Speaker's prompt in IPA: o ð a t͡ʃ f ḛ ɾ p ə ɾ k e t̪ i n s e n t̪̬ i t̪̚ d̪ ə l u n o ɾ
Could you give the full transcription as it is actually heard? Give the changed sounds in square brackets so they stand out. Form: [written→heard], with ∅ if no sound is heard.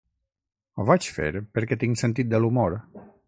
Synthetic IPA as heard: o [ð→v] a t͡ʃ f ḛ ɾ p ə ɾ k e t̪ i [n→ŋ] s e n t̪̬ i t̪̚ d̪ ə l u [n→m] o ɾ

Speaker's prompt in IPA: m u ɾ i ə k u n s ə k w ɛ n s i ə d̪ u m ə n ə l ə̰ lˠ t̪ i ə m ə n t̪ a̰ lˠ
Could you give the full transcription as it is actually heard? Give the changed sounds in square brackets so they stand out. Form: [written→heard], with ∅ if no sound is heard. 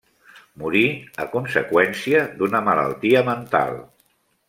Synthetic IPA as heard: m u ɾ i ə k u n s ə k w ɛ n s i ə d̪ u [m→n] ə [n→m] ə l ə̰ lˠ t̪ i ə m ə n t̪ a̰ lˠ

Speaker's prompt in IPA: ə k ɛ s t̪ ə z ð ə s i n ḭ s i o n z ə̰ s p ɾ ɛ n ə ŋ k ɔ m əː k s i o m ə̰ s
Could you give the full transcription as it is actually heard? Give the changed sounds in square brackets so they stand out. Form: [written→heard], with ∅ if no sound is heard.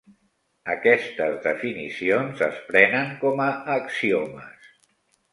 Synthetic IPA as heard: ə k ɛ s t̪ ə z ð ə [s→f] i n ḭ s i o n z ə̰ s p ɾ ɛ n ə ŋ k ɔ m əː k s i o m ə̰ s

